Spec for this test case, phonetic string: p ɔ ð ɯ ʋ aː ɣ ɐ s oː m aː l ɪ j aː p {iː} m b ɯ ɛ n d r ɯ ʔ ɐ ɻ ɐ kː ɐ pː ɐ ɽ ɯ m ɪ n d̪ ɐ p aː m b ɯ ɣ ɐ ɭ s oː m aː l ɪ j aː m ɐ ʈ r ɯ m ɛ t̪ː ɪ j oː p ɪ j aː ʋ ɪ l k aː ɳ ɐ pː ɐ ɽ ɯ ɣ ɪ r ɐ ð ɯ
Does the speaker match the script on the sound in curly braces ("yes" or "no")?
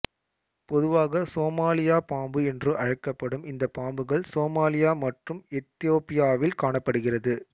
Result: no